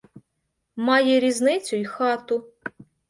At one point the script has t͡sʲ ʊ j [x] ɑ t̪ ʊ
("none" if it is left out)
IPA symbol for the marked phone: x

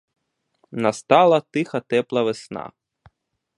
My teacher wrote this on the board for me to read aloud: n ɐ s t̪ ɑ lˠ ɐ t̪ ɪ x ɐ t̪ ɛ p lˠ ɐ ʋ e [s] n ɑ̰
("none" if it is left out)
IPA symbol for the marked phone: s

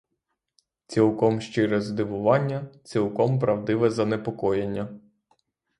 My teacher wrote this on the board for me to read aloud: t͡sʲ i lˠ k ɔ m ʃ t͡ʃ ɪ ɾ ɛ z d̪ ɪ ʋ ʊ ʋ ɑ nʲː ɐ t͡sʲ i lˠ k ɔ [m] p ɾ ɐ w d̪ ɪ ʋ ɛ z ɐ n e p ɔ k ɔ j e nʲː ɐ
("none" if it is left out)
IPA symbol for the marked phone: m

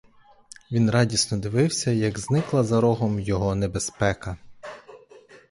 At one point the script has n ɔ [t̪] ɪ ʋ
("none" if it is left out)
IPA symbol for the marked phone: d̪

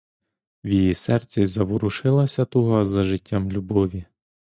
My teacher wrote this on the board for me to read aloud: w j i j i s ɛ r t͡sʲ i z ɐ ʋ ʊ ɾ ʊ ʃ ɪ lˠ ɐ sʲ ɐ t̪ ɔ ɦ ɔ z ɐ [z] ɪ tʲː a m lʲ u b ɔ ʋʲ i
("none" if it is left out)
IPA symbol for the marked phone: ʒ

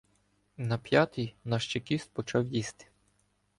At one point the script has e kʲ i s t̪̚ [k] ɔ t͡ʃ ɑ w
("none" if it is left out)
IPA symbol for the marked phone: p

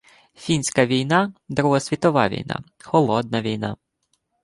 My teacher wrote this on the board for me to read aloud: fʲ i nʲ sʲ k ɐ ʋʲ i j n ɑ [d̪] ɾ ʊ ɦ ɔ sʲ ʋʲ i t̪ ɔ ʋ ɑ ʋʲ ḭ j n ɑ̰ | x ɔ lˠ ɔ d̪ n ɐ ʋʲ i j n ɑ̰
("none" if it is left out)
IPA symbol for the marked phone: d̪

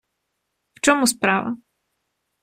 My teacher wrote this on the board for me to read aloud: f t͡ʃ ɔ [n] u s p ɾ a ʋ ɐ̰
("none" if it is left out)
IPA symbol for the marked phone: m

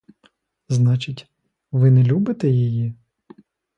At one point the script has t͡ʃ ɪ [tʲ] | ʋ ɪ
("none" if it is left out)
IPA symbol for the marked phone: tʲ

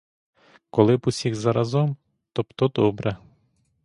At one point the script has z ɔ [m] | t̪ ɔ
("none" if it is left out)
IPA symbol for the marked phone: m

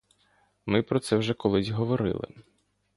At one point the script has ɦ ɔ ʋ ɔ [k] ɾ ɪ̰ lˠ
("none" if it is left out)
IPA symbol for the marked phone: none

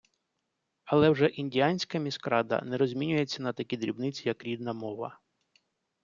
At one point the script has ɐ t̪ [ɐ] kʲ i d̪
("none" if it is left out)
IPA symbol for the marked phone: ɐ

